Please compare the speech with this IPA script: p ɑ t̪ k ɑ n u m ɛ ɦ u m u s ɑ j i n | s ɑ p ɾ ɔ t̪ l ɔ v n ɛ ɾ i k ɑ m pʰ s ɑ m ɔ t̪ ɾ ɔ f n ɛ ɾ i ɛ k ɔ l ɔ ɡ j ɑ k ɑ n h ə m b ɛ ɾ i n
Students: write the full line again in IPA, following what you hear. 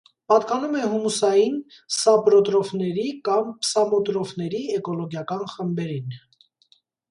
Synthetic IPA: p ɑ t̪ k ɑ n u m ɛ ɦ u m u s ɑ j i n | s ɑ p ɾ ɔ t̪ ɾ ɔ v n ɛ ɾ i k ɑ m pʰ s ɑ m ɔ t̪ ɾ ɔ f n ɛ ɾ i ɛ k ɔ l ɔ ɡ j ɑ k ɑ n χ ə m b ɛ ɾ i n